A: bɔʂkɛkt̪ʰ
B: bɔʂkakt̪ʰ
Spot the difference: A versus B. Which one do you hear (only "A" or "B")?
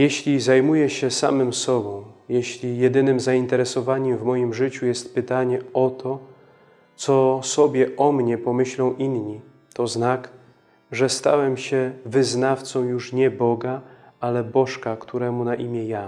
B